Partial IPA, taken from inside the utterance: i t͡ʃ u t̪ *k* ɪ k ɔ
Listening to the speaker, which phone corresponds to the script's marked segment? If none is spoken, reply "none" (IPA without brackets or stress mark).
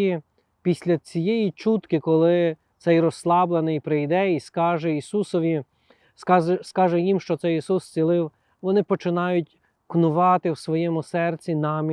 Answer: k